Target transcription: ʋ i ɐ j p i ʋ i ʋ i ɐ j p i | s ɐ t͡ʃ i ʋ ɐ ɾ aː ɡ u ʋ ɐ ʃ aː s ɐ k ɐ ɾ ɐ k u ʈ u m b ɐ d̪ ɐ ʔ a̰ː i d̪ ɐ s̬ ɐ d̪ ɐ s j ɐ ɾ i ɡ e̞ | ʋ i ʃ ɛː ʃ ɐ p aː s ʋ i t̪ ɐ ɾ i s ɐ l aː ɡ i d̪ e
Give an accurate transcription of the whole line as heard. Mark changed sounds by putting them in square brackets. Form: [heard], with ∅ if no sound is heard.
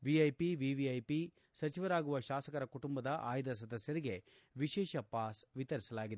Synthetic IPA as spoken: ʋ i ɐ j p i ʋ i ʋ i ɐ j p i | s ɐ t͡ʃ i ʋ ɐ ɾ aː ɡ u ʋ ɐ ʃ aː s ɐ k ɐ ɾ ɐ k u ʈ u m b ɐ d̪ ɐ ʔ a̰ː [j] d̪ ɐ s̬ ɐ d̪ ɐ s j ɐ ɾ i ɡ e̞ | ʋ i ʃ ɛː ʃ ɐ p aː s ʋ i t̪ ɐ ɾ i s ɐ l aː ɡ i d̪ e